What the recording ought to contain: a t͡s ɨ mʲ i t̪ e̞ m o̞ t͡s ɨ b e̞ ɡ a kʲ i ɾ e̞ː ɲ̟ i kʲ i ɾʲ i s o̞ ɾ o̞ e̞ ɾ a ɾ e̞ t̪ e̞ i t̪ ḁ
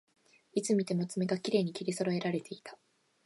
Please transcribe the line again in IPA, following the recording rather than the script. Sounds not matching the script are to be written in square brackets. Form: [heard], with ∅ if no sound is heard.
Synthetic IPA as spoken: [i] t͡s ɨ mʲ i t̪ e̞ m o̞ t͡s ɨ [m] e̞ ɡ a kʲ i ɾ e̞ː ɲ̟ i kʲ i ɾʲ i s o̞ ɾ o̞ e̞ ɾ a ɾ e̞ t̪ e̞ i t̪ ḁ